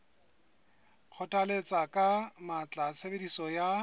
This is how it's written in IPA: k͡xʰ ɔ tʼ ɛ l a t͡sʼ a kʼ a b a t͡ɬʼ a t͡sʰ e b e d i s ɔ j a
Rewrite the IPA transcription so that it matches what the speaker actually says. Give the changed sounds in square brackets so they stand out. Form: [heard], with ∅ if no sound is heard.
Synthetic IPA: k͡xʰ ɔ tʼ [a] l [e] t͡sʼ a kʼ a [m] a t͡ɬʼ a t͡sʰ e b e d i s ɔ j a